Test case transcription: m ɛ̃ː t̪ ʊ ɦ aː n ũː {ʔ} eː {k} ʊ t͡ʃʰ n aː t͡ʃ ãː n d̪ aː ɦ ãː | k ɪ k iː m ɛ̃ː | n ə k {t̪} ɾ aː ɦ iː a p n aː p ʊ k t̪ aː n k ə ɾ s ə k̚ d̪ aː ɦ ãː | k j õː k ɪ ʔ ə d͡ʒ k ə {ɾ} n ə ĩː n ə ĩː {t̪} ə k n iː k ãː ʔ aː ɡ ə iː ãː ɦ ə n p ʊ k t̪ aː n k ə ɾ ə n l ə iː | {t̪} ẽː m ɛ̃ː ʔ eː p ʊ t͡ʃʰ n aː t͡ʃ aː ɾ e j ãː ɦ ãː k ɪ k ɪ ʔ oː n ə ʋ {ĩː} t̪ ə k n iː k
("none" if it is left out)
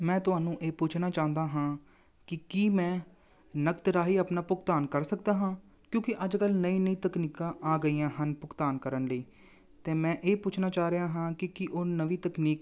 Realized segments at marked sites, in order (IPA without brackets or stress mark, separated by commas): ʔ, p, t̪, l, t̪, t̪, iː